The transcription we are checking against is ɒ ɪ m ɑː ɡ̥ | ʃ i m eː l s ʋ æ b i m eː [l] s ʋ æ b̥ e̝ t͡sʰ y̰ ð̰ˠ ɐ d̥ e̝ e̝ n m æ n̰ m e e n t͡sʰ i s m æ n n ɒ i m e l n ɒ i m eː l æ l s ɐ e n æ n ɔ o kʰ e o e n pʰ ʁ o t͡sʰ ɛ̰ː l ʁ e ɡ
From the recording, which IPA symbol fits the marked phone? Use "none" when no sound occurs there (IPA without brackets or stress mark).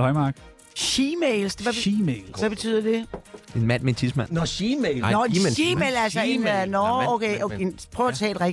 l